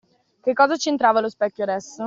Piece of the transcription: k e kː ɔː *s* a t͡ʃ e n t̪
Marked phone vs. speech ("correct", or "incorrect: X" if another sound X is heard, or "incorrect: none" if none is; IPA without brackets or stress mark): incorrect: z